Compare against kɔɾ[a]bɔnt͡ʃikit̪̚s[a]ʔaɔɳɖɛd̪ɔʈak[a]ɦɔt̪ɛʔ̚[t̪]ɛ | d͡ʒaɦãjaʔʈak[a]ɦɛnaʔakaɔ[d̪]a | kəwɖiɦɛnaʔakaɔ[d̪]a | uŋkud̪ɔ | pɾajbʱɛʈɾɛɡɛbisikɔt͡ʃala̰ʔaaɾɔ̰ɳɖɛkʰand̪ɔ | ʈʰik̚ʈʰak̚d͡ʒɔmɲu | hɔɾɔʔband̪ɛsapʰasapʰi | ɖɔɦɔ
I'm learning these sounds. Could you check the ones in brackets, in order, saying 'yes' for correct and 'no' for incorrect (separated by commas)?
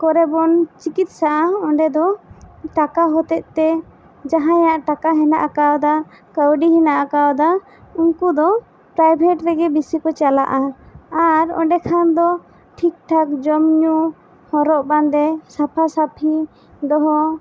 no, yes, yes, yes, yes, yes, yes